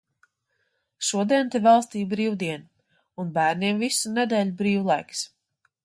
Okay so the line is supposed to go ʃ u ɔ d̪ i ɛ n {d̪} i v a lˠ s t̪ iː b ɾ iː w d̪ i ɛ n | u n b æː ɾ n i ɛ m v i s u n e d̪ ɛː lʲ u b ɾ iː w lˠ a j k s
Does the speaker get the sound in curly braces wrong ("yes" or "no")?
yes